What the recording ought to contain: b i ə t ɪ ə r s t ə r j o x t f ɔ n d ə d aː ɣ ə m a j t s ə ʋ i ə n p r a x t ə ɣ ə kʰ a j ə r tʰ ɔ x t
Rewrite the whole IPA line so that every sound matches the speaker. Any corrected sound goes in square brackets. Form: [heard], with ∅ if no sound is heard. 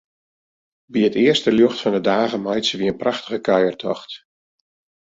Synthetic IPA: b i ə t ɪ ə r s t ə [l] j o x t f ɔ n d ə d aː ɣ ə m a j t s ə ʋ i ə n p r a x t ə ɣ ə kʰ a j ə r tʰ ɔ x t